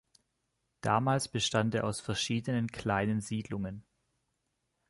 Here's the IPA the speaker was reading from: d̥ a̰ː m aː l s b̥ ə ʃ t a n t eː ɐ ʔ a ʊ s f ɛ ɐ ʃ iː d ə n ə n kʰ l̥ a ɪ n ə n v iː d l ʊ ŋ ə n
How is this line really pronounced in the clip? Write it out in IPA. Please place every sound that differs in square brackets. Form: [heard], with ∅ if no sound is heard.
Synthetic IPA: d̥ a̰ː m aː l s b̥ ə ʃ t a n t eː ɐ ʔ a ʊ s f ɛ ɐ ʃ iː d ə n ə n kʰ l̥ a ɪ n ə n [z] iː d l ʊ ŋ ə n